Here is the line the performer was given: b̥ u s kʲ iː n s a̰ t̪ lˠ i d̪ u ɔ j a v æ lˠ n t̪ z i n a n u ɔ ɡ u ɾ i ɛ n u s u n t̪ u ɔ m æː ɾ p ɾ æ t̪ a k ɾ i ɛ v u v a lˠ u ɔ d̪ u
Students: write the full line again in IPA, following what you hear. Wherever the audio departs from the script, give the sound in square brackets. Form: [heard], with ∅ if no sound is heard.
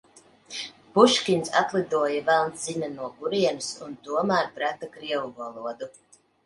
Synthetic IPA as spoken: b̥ u [ʃ] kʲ [i] n s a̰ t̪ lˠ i d̪ u ɔ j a v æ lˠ n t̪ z i n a n u ɔ ɡ u ɾ i ɛ n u s u n t̪ u ɔ m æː ɾ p ɾ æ t̪ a k ɾ i ɛ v u v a lˠ u ɔ d̪ u